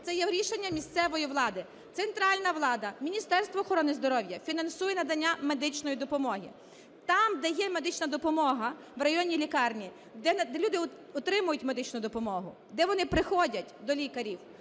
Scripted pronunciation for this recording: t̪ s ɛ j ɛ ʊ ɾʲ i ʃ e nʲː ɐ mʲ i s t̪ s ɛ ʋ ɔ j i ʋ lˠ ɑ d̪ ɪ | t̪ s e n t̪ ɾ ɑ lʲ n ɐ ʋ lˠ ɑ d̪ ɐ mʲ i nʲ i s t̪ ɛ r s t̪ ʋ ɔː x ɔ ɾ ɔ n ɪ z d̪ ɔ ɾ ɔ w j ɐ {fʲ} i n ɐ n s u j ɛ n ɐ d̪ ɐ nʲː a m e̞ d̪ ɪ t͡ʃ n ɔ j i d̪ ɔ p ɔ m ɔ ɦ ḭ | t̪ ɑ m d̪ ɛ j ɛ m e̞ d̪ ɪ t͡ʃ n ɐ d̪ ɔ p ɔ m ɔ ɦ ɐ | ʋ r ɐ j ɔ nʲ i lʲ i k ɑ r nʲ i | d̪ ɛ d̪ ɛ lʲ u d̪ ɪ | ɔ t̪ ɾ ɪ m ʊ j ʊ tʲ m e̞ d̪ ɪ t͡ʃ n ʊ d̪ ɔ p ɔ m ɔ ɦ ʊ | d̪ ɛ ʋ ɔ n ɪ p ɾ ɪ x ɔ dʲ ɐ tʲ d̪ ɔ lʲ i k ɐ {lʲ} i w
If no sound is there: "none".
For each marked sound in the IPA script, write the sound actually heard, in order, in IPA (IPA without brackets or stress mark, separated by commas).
fʲ, ɾʲ